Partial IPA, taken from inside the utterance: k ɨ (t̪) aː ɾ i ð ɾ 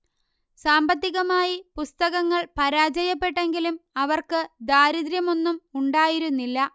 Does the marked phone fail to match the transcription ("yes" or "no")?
yes